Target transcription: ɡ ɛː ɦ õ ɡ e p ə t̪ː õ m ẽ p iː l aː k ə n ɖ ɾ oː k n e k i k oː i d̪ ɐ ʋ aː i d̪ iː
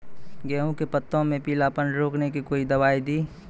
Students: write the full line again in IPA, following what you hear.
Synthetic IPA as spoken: ɡ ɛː ɦ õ k e p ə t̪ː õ m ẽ p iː l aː p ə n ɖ ɾ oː k n e k i k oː i d̪ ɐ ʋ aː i d̪ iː

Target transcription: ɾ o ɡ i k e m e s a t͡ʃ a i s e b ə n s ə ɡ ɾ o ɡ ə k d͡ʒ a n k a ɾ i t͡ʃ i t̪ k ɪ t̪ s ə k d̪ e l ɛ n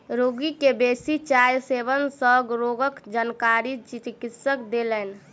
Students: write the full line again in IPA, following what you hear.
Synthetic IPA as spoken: ɾ o ɡ i k e b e s i t͡ʃ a j s e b ə n s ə ɡ ɾ o ɡ ə k d͡ʒ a n k a ɾ i t͡ʃ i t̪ k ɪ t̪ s ə k d̪ e l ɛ n

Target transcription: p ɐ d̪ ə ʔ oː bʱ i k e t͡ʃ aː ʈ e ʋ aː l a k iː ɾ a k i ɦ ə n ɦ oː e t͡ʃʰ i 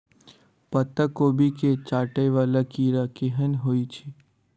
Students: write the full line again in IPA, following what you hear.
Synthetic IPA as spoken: p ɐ t̪ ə k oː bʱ i k e t͡ʃ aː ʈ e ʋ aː l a k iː ɾ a k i ɦ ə n ɦ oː i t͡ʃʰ i

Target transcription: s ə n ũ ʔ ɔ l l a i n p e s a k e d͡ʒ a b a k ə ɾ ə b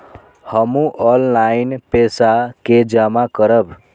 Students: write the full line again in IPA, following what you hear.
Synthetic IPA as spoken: h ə m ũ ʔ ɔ l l a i n p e s a k e d͡ʒ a m a k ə ɾ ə b

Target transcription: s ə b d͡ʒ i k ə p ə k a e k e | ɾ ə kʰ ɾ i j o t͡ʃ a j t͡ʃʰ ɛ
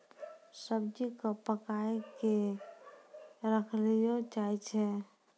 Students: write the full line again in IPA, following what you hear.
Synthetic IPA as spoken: s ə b d͡ʒ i k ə p ə k a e k e | ɾ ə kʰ l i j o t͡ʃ a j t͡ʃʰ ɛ

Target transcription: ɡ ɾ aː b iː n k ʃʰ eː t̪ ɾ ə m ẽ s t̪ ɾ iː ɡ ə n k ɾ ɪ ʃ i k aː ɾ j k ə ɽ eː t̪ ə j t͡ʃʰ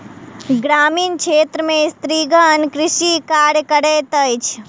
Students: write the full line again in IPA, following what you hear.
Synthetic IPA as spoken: ɡ ɾ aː m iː n k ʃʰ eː t̪ ɾ ə m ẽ s t̪ ɾ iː ɡ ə n k ɾ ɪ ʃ i k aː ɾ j k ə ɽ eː t̪ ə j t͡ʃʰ

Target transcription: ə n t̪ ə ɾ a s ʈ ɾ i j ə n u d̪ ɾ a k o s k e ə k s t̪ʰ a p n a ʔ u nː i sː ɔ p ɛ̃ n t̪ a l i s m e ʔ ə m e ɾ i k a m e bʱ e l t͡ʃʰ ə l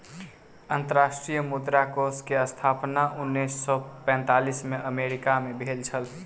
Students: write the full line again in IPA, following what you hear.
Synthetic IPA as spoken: ə n t̪ ə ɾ a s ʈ ɾ i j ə m u d̪ ɾ a k o s k e ə s t̪ʰ a p n a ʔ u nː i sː ɔ p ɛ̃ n t̪ a l i s m e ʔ ə m e ɾ i k a m e bʱ e l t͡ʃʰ ə l

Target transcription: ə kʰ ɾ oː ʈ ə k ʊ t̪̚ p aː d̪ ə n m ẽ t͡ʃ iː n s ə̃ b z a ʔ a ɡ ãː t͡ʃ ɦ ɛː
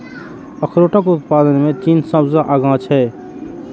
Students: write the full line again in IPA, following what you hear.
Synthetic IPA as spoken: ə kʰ ɾ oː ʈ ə k ʊ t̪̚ p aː d̪ ə n m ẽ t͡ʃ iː n s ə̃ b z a ʔ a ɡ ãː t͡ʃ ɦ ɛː

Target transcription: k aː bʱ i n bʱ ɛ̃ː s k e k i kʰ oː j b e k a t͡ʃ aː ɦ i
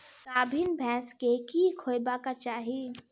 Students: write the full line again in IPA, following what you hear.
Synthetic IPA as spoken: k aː bʱ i n bʱ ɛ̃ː s k e k i kʰ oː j b a k a t͡ʃ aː ɦ i

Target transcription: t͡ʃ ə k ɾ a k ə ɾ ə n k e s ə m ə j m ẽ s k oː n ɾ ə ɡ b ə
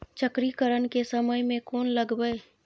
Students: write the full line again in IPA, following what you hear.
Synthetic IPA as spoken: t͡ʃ ə k ɾ i k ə ɾ ə n k e s ə m ə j m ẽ k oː n l ə ɡ b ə

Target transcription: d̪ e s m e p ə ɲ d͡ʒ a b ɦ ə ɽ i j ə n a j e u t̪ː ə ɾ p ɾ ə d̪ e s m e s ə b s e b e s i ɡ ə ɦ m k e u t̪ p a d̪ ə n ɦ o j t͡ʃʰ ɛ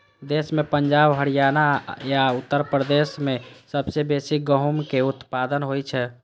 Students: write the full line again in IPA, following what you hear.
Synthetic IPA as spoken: d̪ e s m e p ə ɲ d͡ʒ a b ɦ ə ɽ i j a n a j a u t̪ː ə ɾ p ɾ ə d̪ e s m e s ə b s e b e s i ɡ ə ɦ m k e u t̪ p a d̪ ə n ɦ o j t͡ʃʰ ɛ

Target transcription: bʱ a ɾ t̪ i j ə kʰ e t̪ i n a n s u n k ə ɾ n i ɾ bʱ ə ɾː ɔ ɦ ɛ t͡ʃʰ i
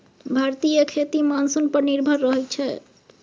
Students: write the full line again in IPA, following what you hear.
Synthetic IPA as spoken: bʱ a ɾ t̪ i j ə kʰ e t̪ i m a n s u n p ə ɾ n i ɾ bʱ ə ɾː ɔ ɦ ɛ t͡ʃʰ ɛ

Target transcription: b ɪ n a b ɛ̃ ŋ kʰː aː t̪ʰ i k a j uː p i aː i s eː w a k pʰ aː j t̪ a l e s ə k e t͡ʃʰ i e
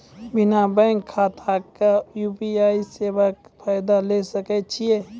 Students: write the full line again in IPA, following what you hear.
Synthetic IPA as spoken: b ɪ n a b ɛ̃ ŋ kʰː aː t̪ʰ a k a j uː p i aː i s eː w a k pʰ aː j d̪ a l e s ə k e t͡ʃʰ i e

